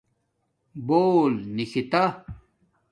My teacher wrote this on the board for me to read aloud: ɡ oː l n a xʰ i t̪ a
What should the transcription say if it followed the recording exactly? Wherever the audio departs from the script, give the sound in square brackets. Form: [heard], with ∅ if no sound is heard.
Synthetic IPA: [b] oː l n [i] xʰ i t̪ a